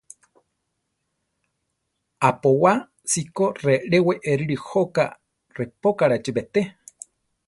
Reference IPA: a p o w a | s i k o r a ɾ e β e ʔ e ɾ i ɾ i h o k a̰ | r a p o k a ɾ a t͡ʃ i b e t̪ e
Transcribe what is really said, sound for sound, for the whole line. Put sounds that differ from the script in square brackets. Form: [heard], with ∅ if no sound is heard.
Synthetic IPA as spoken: a p o w a | s i k o r [e] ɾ e [w] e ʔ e ɾ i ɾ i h o k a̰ | r [e] p o k a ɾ a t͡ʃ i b e t̪ e